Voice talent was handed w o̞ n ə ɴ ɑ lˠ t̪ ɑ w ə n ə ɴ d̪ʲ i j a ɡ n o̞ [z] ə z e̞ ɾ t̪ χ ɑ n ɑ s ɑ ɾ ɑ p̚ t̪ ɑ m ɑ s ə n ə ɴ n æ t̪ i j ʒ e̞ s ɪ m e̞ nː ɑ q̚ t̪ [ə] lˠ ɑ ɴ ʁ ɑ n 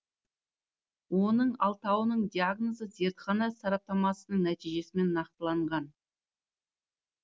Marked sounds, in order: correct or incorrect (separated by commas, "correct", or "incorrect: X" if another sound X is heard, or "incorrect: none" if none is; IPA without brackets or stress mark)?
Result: correct, correct